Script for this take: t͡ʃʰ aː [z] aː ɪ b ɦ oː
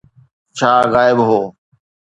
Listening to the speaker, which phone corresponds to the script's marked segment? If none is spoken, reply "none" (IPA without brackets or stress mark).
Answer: ɣ